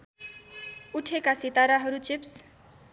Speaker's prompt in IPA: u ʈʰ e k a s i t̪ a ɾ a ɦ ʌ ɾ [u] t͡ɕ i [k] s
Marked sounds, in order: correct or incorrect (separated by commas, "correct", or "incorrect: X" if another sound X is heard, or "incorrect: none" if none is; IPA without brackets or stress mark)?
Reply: correct, incorrect: p